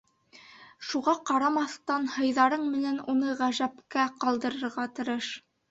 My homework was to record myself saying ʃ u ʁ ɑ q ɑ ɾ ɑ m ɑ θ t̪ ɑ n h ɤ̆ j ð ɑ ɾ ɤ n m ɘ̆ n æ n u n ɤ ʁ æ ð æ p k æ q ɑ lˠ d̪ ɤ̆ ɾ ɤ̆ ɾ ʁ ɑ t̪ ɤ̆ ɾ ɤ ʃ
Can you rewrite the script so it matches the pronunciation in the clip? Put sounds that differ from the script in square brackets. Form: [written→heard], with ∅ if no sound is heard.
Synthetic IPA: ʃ u ʁ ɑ q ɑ ɾ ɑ m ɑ θ t̪ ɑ n h ɤ̆ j ð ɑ ɾ ɤ [n→ɴ] m ɘ̆ n æ n u n ɤ ʁ æ [ð→ʒ] æ p k æ q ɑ lˠ d̪ ɤ̆ ɾ ɤ̆ ɾ ʁ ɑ t̪ ɤ̆ ɾ ɤ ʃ

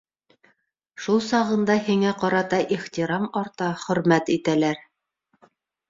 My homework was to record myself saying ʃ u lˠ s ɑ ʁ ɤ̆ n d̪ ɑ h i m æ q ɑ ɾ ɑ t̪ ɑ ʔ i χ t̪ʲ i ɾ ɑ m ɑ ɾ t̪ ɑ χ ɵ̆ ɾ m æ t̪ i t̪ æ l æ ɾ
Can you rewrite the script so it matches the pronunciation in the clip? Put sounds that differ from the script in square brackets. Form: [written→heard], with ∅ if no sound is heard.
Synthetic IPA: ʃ u lˠ s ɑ ʁ ɤ̆ n d̪ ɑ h i [m→ŋ] æ q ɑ ɾ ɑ t̪ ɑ ʔ i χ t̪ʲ i ɾ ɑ m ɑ ɾ t̪ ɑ χ ɵ̆ ɾ m æ t̪ i t̪ æ l æ ɾ

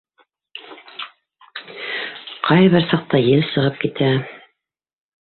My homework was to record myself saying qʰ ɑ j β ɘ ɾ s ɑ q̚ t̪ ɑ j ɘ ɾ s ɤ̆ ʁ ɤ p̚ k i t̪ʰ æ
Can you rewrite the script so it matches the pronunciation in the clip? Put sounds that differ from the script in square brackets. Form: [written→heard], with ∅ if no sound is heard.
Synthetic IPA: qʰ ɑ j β ɘ ɾ s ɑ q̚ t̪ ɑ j ɘ [ɾ→l] s ɤ̆ ʁ ɤ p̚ k i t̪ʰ æ

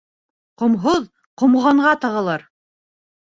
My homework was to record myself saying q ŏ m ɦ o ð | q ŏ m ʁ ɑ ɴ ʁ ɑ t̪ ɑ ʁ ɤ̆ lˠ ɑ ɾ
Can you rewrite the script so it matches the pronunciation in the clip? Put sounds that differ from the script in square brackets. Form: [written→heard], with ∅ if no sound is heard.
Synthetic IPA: q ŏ m ɦ o ð | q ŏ m ʁ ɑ ɴ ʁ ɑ t̪ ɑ ʁ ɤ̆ lˠ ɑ ɾ

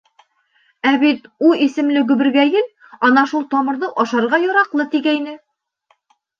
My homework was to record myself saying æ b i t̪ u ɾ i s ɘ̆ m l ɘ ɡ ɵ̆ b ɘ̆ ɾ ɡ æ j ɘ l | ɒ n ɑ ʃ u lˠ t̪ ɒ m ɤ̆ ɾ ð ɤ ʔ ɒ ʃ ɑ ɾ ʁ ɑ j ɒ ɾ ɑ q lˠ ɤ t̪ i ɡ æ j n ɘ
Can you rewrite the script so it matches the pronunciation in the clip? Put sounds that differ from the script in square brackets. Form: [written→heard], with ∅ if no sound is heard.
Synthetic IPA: æ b i t̪ u [ɾ→∅] i s ɘ̆ m l ɘ ɡ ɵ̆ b ɘ̆ ɾ ɡ æ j ɘ l | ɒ n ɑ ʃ u lˠ t̪ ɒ m ɤ̆ ɾ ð ɤ ʔ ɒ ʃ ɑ ɾ ʁ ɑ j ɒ ɾ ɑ q lˠ ɤ t̪ i ɡ æ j n ɘ

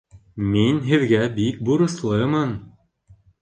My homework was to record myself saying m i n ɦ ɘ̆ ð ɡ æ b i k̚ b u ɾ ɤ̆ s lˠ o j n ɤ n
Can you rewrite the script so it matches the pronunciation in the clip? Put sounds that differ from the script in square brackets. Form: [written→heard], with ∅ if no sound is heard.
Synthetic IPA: m i n ɦ ɘ̆ ð ɡ æ b i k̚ b u ɾ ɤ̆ s lˠ [o→ɤ] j [n→m] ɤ n

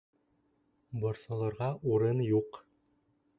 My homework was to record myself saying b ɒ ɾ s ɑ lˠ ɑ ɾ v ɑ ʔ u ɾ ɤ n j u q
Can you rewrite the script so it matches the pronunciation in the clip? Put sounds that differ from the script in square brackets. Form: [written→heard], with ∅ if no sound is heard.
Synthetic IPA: b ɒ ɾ s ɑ lˠ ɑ ɾ [v→ʁ] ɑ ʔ u ɾ ɤ n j u q

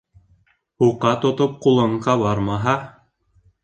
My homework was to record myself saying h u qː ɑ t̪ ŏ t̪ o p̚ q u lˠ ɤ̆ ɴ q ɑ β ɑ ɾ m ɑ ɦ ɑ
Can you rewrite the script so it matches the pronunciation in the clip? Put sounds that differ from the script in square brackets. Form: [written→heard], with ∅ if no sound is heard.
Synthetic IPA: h u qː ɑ t̪ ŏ t̪ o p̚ q u lˠ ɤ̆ ɴ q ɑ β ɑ ɾ m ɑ ɦ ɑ

